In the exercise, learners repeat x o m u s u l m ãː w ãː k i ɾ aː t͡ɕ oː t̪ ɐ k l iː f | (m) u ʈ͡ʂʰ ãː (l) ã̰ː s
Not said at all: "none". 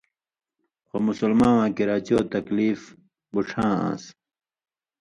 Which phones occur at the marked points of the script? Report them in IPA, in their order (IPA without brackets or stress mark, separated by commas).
b, none